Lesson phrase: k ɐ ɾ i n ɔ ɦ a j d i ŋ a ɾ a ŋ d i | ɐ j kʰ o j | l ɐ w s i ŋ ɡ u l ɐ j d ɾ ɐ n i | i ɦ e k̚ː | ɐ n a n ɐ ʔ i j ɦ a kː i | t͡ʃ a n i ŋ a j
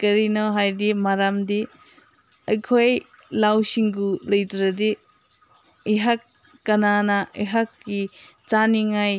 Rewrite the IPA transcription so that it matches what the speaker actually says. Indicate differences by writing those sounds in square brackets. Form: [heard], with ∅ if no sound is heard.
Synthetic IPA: k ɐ ɾ i n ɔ ɦ a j d i [m] a ɾ a [m] d i | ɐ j kʰ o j | l [a] w s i ŋ ɡ u l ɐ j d ɾ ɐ [d] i | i ɦ [a] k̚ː | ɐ n a n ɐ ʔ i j ɦ a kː i | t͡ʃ a n i ŋ a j